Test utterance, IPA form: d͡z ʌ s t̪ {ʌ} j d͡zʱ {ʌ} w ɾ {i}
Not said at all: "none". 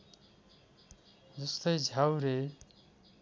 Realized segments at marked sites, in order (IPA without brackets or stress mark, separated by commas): ʌ, a, e